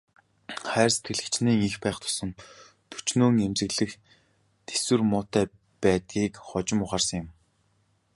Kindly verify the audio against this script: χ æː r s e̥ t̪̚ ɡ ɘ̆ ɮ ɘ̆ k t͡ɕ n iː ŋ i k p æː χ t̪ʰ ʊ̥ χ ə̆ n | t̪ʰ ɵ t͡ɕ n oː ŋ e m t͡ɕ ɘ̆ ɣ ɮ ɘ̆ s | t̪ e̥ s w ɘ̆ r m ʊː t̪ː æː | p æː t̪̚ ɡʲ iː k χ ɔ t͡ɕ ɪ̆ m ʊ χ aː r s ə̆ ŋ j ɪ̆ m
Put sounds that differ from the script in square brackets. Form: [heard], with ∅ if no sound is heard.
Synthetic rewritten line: χ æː r s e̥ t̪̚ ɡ ɘ̆ ɮ ɘ̆ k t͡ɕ n iː ŋ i [x] p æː χ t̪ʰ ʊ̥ [s] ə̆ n | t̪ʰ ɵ t͡ɕ n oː ŋ e m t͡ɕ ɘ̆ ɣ ɮ ɘ̆ [x] | t̪ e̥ s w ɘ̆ r m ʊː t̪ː æː | p æː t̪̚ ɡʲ iː k χ ɔ t͡ɕ ɪ̆ m ʊ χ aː r s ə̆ ŋ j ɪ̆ m